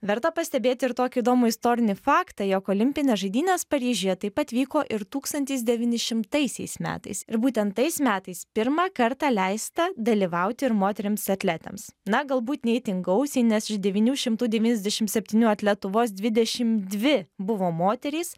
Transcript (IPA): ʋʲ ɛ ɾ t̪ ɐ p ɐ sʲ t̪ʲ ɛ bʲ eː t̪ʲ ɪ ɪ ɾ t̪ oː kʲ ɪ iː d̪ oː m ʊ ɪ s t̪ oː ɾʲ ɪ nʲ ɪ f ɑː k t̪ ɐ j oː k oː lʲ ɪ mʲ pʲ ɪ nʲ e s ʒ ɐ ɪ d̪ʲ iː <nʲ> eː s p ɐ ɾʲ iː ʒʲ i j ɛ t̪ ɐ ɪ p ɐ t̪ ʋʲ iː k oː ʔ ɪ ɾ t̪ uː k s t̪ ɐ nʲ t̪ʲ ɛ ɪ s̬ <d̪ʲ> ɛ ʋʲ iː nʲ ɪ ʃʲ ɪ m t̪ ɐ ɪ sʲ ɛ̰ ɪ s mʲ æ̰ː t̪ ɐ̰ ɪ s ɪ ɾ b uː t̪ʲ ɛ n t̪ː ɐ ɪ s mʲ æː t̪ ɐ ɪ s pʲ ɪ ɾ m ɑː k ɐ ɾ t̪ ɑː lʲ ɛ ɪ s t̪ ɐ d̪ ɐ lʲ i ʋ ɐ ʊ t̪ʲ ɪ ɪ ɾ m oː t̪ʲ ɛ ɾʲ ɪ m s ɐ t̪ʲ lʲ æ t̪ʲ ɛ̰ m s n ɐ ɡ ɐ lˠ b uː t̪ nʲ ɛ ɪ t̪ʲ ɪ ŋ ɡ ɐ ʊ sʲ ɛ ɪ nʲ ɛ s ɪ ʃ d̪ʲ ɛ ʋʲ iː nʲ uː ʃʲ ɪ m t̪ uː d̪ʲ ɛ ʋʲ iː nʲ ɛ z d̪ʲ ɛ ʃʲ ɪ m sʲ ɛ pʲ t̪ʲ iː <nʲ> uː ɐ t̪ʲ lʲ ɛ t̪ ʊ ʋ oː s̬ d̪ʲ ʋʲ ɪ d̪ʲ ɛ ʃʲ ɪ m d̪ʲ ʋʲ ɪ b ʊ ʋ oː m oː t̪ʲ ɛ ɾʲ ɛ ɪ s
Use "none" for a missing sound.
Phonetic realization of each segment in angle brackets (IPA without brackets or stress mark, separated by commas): nʲ, d̪ʲ, nʲ